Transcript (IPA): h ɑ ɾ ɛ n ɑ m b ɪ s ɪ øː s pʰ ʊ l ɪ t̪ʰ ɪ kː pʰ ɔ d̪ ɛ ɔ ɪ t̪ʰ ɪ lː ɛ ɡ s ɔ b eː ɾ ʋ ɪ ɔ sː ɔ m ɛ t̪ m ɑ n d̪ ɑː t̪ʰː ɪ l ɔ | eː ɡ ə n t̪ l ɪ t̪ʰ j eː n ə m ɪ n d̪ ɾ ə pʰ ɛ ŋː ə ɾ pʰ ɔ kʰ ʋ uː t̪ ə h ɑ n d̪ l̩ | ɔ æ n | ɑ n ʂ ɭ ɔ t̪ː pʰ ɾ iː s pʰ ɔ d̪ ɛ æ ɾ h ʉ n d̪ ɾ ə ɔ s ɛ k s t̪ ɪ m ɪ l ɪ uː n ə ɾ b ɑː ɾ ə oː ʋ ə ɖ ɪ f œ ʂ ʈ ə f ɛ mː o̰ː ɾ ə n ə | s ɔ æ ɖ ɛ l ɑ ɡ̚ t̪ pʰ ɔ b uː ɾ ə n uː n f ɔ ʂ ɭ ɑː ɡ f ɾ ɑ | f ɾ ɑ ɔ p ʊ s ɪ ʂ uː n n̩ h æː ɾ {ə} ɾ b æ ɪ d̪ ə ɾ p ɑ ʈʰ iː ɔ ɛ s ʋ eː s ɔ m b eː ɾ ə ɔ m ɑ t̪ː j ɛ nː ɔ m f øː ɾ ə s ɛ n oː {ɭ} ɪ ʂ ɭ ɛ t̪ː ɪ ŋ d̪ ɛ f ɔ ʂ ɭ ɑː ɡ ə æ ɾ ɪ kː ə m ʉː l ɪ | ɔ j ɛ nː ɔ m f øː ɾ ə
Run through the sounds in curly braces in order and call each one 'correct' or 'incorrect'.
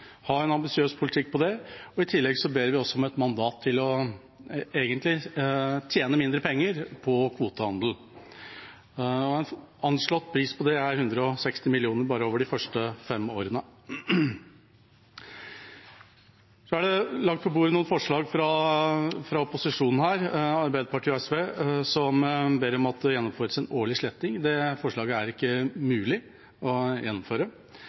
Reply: incorrect: ɑ, correct

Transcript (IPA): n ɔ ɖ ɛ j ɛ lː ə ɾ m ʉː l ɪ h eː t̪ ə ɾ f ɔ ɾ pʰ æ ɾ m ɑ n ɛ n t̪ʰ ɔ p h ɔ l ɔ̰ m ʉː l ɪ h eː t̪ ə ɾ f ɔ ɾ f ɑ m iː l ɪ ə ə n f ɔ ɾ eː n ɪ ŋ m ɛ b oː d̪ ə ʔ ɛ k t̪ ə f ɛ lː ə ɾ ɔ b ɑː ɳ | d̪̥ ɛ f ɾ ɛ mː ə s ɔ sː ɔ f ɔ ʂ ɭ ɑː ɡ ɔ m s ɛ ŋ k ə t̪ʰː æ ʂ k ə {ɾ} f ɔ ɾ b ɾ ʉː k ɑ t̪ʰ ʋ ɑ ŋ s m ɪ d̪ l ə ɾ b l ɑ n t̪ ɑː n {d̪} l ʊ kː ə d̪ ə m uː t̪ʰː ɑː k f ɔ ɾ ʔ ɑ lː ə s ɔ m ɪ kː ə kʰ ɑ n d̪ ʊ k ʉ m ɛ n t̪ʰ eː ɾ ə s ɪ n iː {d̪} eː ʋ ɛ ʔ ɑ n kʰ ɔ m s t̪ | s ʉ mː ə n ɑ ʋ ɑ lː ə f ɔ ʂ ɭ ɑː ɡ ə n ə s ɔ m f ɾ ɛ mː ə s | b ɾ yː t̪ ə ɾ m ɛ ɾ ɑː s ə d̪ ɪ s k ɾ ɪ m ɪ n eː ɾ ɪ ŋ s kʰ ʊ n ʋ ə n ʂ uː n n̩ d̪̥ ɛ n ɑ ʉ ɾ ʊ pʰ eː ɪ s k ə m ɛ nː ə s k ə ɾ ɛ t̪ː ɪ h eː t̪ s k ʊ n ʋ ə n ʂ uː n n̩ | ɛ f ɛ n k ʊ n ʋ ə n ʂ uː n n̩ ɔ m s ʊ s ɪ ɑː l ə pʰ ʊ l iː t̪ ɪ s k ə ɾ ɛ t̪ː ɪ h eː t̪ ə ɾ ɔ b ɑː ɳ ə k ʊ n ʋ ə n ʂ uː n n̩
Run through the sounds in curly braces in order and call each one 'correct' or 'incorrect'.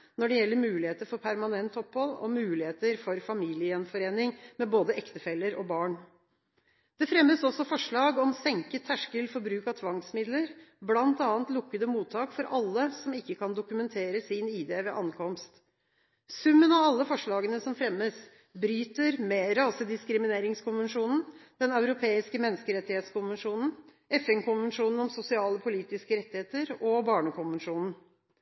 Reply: incorrect: l, incorrect: t̪, correct

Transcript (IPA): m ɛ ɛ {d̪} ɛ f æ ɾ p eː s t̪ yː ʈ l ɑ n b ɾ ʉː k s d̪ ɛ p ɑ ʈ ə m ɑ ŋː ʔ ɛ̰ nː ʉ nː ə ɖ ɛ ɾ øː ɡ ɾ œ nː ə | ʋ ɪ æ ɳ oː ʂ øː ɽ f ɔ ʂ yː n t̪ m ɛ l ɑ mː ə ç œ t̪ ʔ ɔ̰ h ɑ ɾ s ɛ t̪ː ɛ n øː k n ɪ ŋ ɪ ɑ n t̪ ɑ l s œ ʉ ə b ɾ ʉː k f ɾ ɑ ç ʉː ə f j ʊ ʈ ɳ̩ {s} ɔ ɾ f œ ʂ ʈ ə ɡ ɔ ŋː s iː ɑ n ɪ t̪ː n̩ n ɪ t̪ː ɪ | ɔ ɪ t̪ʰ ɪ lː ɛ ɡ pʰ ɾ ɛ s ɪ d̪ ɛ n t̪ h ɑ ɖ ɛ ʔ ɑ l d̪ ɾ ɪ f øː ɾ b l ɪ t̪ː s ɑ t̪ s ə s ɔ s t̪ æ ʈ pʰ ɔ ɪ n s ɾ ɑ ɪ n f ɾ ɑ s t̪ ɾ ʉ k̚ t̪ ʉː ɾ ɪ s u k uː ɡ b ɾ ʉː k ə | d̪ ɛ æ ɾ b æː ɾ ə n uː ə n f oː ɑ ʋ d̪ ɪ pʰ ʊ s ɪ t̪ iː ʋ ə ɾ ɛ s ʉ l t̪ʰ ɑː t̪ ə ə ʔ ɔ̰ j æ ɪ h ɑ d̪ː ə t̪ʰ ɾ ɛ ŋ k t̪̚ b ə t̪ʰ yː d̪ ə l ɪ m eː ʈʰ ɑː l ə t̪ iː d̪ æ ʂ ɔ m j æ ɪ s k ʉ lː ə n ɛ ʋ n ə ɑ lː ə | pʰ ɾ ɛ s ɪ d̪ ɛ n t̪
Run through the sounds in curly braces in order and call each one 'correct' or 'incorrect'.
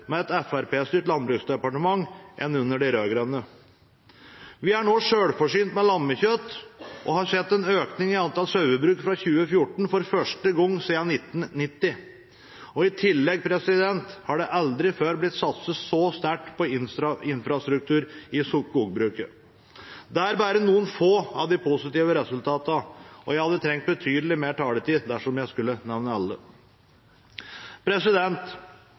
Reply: incorrect: t̪, incorrect: f

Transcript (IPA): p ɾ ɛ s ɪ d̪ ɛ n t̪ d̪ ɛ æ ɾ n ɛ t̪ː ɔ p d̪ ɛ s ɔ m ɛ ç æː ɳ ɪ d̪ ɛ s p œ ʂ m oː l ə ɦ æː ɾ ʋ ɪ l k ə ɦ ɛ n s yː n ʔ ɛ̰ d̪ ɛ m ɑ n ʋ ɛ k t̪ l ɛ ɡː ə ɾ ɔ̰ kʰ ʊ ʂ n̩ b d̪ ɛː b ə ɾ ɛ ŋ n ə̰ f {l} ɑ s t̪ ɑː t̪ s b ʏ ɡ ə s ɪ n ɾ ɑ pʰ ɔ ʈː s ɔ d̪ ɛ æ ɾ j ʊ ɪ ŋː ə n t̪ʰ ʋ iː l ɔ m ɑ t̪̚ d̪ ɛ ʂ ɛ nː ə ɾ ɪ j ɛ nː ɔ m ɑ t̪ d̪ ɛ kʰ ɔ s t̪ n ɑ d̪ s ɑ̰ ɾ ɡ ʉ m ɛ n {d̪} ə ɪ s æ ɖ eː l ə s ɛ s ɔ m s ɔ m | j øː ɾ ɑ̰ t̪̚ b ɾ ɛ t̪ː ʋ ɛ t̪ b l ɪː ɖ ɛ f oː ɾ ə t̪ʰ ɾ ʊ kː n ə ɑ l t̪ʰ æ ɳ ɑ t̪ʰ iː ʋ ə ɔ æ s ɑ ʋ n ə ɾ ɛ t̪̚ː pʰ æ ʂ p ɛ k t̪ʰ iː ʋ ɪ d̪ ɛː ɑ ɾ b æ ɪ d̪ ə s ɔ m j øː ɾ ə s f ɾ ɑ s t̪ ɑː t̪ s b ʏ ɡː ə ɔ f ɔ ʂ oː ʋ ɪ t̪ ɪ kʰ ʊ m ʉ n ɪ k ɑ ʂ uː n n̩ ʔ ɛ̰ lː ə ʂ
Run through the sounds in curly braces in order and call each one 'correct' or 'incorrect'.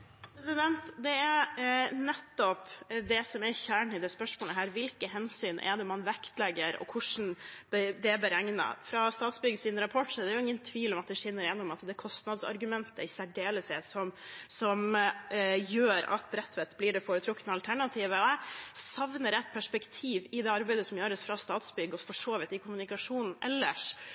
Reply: incorrect: ɾ, incorrect: t̪

